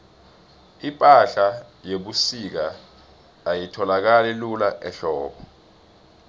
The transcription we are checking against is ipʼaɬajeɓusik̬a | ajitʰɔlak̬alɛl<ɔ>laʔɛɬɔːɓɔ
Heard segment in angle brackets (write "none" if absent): u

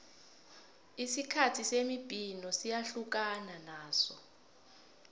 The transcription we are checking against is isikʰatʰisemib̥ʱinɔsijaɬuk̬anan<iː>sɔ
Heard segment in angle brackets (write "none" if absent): aː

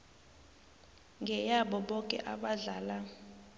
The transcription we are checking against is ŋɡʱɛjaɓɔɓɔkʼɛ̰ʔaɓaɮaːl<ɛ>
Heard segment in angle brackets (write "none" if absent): a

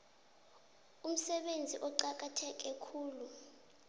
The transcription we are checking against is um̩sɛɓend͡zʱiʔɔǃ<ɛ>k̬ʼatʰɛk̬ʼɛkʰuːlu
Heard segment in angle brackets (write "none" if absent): a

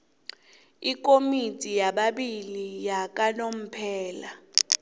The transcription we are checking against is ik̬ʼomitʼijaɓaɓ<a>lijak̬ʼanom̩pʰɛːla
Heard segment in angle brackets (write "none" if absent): i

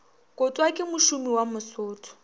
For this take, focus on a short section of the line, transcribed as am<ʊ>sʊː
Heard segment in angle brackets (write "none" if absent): ʊ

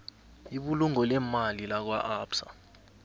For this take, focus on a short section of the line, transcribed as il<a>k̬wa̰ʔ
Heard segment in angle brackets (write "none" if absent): a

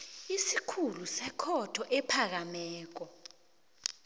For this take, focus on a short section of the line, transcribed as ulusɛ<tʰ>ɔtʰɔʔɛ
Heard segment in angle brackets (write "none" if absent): kʰ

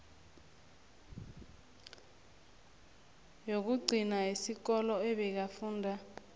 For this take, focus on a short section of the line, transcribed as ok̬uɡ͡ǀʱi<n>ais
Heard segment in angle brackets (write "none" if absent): n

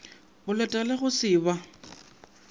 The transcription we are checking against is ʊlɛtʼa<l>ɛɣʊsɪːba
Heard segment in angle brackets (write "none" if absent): l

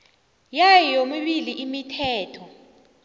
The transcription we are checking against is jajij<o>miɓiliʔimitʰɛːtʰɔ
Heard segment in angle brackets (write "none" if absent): o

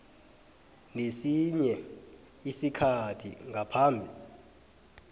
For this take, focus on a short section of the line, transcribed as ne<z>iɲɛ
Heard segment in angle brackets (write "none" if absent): s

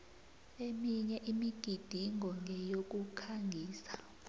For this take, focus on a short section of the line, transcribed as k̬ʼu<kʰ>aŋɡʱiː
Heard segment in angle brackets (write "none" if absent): kʰ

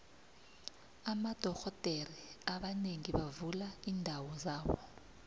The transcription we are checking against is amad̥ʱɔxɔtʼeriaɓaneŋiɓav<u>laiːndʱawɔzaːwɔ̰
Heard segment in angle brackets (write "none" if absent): u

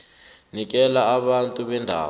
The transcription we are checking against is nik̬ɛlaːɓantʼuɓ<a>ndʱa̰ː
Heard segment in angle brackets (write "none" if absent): ɛ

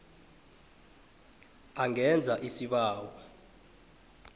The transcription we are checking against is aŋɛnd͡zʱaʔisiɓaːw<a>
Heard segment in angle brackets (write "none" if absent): a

